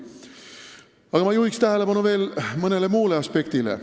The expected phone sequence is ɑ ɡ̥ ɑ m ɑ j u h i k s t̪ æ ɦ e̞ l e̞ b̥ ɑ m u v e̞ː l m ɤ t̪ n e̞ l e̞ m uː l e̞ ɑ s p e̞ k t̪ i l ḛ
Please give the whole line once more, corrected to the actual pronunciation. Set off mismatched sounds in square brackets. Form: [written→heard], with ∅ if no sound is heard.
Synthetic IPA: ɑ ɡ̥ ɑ m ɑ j u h i k s t̪ æ ɦ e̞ l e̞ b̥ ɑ [m→n] u v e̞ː l m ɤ [t̪→∅] n e̞ l e̞ m uː l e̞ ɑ s p e̞ k t̪ i l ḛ